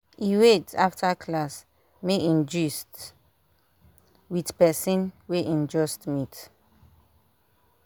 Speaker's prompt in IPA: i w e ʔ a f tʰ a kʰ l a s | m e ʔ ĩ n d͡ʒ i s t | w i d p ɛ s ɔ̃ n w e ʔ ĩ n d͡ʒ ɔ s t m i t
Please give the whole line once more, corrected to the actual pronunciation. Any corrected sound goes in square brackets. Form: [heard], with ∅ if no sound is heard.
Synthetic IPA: i w e [t] a f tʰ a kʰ l a s | m e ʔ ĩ n d͡ʒ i s t | w i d p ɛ s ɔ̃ n w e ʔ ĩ n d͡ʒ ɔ s t m i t